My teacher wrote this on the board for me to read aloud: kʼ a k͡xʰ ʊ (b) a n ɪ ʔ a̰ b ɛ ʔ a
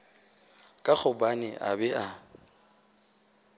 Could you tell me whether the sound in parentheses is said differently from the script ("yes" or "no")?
no